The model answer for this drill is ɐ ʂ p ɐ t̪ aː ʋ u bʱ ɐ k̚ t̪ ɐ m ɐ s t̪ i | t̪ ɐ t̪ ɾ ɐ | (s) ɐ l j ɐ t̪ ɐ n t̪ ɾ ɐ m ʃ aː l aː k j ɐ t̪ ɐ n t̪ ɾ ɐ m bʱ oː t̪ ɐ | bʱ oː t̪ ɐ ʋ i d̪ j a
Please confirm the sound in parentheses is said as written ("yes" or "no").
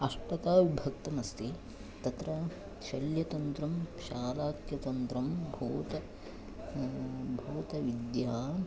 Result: no